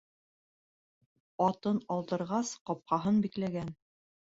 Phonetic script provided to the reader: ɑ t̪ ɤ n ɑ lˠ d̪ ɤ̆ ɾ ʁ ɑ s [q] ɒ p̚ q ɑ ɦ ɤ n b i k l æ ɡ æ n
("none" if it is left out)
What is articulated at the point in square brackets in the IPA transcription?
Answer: q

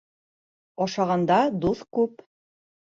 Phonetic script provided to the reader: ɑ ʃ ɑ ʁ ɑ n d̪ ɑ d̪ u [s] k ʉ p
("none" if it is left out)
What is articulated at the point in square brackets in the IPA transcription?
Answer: θ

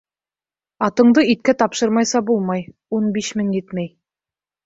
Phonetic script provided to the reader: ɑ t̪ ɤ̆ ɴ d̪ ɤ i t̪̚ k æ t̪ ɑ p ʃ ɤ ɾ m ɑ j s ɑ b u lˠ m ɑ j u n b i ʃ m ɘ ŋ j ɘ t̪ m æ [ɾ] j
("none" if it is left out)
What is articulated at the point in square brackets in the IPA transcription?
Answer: none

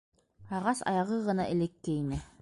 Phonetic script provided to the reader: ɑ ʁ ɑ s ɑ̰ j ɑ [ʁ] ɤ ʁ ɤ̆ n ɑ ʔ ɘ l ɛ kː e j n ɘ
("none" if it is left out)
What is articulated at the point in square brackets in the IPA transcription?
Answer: ʁ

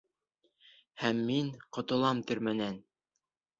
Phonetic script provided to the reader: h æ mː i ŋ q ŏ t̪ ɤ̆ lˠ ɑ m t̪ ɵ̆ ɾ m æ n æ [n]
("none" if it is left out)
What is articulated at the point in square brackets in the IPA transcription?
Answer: n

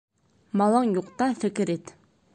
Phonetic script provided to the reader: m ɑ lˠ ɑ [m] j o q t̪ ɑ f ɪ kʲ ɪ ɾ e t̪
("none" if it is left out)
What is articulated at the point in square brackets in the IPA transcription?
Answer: ŋ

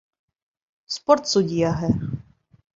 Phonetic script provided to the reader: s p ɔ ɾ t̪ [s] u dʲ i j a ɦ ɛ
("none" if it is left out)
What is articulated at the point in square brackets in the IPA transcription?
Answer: s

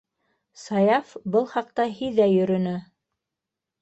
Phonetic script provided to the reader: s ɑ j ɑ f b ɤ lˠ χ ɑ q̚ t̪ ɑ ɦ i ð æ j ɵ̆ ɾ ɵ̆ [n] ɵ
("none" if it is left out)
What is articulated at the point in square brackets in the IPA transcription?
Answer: n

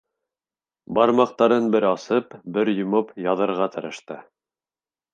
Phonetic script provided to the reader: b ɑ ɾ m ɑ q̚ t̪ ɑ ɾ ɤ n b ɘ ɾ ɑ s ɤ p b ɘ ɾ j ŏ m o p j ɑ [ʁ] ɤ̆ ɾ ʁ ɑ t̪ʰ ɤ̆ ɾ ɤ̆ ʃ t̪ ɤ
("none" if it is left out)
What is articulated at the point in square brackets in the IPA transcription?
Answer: ð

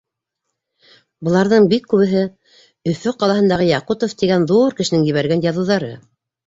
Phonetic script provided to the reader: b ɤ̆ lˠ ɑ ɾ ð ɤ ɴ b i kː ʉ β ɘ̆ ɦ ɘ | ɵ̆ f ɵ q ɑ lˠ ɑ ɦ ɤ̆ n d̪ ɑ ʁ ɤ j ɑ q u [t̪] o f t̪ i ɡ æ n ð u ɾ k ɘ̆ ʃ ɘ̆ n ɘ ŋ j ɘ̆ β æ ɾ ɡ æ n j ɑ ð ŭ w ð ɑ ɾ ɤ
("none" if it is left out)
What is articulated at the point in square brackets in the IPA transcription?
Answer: t̪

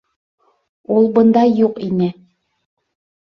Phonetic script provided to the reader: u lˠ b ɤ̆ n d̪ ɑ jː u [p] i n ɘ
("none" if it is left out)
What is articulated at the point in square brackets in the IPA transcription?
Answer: q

